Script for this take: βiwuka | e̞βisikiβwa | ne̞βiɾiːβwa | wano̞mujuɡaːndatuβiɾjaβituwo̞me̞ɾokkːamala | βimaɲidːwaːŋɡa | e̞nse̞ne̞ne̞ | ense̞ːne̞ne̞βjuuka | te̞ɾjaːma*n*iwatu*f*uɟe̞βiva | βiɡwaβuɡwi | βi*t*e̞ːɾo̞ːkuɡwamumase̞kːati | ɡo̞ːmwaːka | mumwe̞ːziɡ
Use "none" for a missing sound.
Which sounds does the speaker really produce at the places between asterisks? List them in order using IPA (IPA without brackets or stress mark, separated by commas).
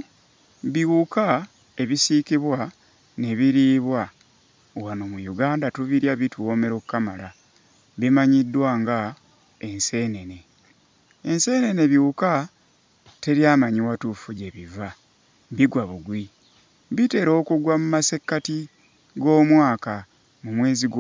ɲ, f, t